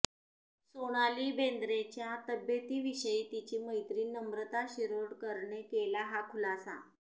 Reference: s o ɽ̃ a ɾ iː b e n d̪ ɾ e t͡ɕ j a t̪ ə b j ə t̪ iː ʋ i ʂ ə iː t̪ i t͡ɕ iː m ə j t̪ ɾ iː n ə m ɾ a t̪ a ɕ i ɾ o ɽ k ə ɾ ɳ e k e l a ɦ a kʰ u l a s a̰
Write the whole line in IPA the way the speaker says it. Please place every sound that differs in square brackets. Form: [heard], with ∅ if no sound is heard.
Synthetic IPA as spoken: s o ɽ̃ a [l] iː b e n d̪ ɾ e t͡ɕ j a t̪ ə b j ə t̪ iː ʋ i [ɕ] ə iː t̪ i t͡ɕ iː m ə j t̪ ɾ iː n ə m ɾ [ə] t̪ a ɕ i ɾ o ɽ k ə ɾ ɳ e k e l a ɦ a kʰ u l a s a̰

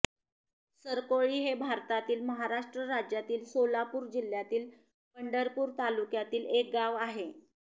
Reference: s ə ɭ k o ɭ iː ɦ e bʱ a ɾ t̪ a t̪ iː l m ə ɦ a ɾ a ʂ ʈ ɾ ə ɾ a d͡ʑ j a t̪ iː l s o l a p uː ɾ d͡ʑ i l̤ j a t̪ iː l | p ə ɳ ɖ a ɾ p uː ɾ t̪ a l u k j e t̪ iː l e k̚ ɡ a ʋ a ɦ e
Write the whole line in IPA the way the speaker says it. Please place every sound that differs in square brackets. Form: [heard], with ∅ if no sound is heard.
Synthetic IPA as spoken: s ə [ɾ] k o ɭ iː ɦ e bʱ a ɾ t̪ a t̪ iː l m ə ɦ a ɾ a ʂ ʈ ɾ ə ɾ a d͡ʑ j a t̪ iː l s o l a p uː ɾ d͡ʑ i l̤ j a t̪ iː l | p ə ɳ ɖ [ə] ɾ p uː ɾ t̪ a l u k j [a] t̪ iː l e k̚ ɡ a ʋ a ɦ e

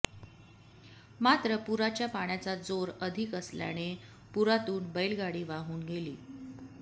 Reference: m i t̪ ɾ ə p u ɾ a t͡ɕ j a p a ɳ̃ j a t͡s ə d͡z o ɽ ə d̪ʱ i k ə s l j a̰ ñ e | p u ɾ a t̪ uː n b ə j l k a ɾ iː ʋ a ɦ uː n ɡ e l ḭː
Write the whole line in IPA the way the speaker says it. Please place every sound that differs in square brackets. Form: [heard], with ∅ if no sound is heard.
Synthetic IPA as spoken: m [a] t̪ ɾ ə p u ɾ a t͡ɕ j a p a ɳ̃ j a t͡s [a] d͡z o [ɾ] ə d̪ʱ i k ə s l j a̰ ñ e | p u ɾ a t̪ uː n b ə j l [ɡ] a [ɽ] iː ʋ a ɦ uː n ɡ e l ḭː

